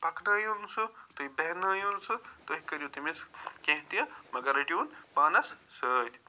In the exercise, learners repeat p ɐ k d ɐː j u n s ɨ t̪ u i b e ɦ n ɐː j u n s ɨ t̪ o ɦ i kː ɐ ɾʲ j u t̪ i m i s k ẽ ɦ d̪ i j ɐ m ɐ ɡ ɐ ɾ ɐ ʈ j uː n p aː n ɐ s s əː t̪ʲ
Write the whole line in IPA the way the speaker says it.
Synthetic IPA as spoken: p ɐ k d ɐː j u n s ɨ t̪ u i b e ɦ n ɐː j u n s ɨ t̪ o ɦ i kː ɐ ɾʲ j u t̪ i m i s k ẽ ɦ t̪ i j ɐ m ɐ ɡ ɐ ɾ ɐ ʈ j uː n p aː n ɐ s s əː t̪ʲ